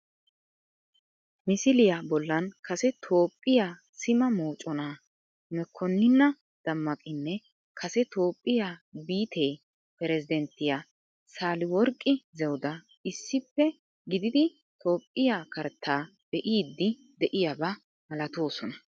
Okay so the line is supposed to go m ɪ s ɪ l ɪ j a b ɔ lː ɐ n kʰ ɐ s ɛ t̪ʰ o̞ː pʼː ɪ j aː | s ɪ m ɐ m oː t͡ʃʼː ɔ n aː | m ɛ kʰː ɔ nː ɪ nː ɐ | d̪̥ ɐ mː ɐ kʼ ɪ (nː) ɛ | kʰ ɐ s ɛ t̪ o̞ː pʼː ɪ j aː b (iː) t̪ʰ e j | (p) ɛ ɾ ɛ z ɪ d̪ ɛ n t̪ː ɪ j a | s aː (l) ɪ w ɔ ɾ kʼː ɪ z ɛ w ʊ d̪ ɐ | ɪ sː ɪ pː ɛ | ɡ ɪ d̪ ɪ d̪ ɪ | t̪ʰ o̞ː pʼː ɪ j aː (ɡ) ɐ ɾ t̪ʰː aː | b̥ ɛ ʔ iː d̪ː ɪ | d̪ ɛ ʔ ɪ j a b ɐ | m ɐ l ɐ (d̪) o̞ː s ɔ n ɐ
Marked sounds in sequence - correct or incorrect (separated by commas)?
correct, correct, correct, correct, incorrect, incorrect